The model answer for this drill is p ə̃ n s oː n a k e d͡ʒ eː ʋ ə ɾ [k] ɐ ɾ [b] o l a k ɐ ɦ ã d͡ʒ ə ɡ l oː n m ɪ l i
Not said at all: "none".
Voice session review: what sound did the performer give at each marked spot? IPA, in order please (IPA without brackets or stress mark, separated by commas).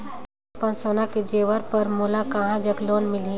p, m